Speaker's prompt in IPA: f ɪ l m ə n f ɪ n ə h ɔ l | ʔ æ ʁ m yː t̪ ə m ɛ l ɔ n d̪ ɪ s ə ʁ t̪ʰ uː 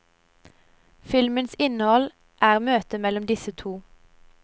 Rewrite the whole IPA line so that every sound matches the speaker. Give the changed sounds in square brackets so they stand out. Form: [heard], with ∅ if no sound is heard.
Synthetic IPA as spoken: f ɪ l m ə n [s] ɪ n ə h ɔ l | ʔ [æː] ʁ m [øː] t̪ ə m ɛ l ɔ [m] d̪ ɪ s ə [∅] t̪ʰ uː